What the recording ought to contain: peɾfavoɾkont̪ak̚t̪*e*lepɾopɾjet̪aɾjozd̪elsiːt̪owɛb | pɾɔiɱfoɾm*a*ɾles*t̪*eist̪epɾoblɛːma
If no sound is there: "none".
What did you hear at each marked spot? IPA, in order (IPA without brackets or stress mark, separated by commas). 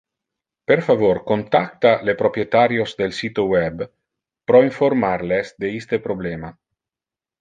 a, a, d̪